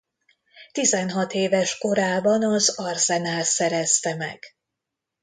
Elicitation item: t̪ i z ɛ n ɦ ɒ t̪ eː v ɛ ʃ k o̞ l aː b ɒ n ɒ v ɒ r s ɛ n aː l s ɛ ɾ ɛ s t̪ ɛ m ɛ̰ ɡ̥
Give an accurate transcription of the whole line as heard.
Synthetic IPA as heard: t̪ i z ɛ n ɦ ɒ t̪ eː v ɛ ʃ k o̞ ɾ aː b ɒ n ɒ z ɒ r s ɛ n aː l s ɛ ɾ ɛ s t̪ ɛ m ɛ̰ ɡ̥